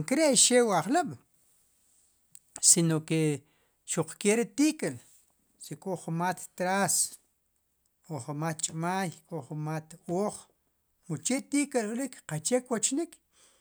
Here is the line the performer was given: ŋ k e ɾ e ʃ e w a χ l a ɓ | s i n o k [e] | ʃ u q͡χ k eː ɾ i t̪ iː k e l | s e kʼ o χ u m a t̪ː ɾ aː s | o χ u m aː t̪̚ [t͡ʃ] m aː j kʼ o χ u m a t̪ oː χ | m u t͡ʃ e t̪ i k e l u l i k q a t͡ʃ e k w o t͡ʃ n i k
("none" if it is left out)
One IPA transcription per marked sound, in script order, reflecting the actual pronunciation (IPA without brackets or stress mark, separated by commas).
e, t͡ʃʼ